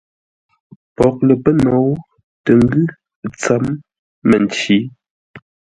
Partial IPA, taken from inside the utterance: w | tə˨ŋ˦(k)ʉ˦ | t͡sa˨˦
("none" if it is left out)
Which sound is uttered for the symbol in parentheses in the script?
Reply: ɡ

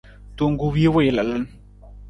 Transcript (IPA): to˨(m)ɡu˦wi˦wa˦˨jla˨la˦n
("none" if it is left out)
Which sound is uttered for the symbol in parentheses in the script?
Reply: ŋ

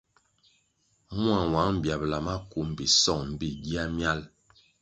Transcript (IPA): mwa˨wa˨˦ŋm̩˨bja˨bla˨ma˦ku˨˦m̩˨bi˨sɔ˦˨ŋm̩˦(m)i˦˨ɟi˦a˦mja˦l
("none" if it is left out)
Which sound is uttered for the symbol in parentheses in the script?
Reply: b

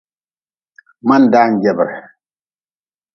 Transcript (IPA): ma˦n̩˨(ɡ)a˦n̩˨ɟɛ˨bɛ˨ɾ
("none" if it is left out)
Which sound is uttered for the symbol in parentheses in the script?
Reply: d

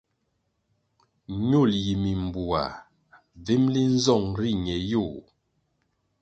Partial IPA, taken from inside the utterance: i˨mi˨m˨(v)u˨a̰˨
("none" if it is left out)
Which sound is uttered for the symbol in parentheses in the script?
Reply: b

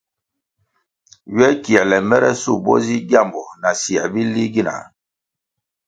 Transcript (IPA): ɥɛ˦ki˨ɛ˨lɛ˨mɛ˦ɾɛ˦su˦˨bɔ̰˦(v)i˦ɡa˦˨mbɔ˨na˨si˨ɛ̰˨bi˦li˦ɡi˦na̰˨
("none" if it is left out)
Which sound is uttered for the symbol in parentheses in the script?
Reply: z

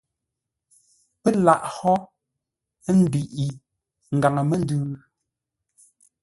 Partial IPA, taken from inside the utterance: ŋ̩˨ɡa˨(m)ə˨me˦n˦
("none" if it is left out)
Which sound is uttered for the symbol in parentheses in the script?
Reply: ŋ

